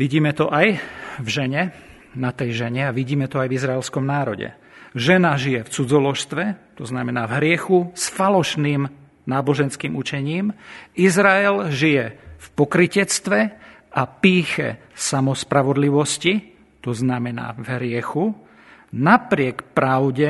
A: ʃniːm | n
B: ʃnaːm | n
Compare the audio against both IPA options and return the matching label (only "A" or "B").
A